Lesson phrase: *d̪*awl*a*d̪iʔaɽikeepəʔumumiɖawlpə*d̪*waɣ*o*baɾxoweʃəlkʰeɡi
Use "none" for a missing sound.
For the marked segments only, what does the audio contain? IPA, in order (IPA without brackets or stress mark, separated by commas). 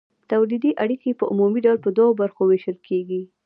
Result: t̪, i, d̪, o